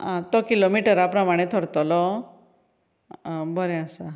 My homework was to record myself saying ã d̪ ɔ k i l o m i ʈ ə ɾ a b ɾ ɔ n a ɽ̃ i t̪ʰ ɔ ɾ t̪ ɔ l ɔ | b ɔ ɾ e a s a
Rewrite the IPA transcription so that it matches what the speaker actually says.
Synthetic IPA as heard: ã t̪ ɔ k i l o m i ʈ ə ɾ a p ɾ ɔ m a ɽ̃ e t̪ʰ ɔ ɾ t̪ ɔ l ɔ | b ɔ ɾ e a s a